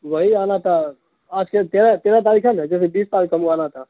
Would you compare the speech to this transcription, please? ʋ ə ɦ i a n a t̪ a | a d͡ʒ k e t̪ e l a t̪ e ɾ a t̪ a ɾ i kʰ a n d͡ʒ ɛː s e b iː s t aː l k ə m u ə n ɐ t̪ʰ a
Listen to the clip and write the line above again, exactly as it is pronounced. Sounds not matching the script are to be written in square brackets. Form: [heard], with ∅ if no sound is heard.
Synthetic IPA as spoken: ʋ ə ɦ i a n a t̪ a | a d͡ʒ k e t̪ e [ɾ] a t̪ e ɾ a t̪ a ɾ i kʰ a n d͡ʒ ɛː s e b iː s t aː l k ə m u [a] n [a] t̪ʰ a